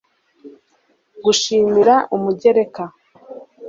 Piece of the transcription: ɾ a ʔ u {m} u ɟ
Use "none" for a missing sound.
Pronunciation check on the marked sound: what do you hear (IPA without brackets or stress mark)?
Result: m